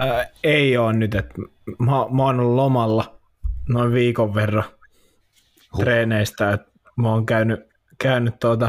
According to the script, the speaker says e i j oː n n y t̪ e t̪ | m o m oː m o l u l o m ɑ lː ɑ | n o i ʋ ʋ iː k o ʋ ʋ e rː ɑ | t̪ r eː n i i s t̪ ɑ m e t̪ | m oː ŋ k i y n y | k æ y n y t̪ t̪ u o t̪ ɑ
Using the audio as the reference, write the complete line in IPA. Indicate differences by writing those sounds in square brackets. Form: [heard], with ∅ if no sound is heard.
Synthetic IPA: e i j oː n n y t̪ e t̪ | m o m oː [n] o l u l o m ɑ lː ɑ | n o i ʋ ʋ iː k o ʋ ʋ e rː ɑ | t̪ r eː n [e] i s t̪ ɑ [∅] e t̪ | m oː ŋ k [æ] y n y | k æ y n y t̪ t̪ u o t̪ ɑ